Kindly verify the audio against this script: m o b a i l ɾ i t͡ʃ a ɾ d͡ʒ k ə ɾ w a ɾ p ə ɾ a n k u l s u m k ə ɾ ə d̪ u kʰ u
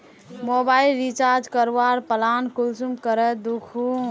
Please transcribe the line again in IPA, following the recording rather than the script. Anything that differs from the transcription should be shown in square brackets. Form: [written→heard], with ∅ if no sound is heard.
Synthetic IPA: m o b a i l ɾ i t͡ʃ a ɾ d͡ʒ k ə ɾ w a ɾ p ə [ɾ→l] a n k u l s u m k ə ɾ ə d̪ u kʰ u